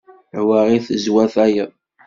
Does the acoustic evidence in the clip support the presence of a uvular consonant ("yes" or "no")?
yes